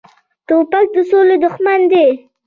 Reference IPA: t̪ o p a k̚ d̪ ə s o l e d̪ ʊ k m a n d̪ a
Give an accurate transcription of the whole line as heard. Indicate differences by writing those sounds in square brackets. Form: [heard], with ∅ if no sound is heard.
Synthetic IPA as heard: t̪ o p a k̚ d̪ ə s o l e d̪ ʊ [x] m a n d̪ [e]